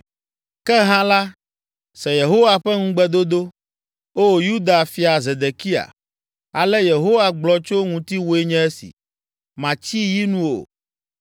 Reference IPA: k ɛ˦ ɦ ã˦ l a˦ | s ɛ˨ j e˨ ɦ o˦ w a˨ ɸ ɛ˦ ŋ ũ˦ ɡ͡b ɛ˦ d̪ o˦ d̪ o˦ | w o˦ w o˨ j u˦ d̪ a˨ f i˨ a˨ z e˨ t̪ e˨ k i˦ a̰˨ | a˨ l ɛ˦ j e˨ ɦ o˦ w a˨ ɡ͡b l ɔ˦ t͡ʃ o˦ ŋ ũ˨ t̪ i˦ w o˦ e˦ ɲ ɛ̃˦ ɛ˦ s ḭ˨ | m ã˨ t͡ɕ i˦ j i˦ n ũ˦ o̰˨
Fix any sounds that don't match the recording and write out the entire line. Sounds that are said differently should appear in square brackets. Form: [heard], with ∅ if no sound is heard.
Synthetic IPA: k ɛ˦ ɦ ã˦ l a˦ | s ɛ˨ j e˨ ɦ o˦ w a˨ ɸ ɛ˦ ŋ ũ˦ ɡ͡b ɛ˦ d̪ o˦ d̪ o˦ | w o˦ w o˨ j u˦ d̪ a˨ f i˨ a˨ z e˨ [d̪] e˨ k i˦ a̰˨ | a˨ l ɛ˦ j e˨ ɦ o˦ w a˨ ɡ͡b l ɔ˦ t͡ʃ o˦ ŋ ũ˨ t̪ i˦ w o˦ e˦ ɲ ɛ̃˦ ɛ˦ s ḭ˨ | m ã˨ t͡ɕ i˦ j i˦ n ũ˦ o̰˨